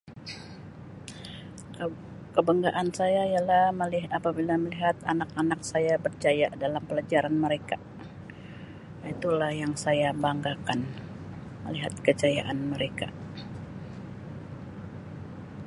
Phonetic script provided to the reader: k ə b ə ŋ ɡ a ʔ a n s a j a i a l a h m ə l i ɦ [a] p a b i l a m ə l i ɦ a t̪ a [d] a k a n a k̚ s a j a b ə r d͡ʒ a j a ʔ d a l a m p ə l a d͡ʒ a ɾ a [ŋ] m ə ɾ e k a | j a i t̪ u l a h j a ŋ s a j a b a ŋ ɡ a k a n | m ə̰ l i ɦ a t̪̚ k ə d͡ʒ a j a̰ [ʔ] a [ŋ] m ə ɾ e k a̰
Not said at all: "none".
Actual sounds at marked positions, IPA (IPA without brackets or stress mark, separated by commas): a, n, n, ʔ, n